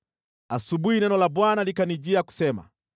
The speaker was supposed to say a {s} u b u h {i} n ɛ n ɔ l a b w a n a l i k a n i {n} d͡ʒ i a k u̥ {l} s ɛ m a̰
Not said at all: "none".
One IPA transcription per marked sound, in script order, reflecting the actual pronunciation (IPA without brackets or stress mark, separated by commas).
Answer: s, i, none, none